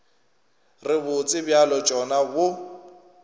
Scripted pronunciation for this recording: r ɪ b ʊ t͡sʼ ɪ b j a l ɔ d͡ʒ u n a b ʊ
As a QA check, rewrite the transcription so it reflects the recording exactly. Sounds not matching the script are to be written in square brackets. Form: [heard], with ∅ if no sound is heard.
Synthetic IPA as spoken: r ɪ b ʊ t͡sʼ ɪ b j a l ɔ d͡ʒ [ɔ] n a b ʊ

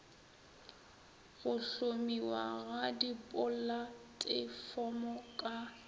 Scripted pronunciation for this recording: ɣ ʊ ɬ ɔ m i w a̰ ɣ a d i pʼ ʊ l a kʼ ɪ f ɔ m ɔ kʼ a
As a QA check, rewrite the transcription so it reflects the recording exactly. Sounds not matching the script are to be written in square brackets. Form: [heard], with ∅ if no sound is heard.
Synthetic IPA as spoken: ɣ ʊ ɬ [o] m i w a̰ ɣ a d i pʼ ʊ l a [tʼ] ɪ f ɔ m ɔ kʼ a

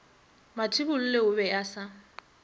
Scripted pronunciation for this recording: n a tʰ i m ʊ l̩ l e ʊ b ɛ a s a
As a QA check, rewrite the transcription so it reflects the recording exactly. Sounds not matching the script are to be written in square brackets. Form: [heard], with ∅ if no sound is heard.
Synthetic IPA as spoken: [m] a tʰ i [b] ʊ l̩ l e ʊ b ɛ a s a

